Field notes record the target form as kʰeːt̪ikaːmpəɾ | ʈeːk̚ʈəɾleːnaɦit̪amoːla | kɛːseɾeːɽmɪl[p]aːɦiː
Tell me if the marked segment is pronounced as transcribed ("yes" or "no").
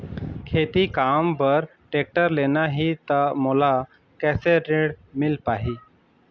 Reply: yes